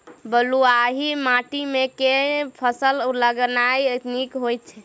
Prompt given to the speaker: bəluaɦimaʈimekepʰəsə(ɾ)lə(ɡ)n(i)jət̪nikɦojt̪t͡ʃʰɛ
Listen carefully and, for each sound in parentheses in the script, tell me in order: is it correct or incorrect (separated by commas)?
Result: incorrect, correct, incorrect